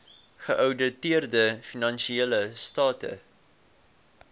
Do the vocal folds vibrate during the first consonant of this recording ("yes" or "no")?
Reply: no